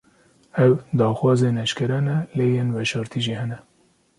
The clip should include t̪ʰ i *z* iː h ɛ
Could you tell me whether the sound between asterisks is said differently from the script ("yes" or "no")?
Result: yes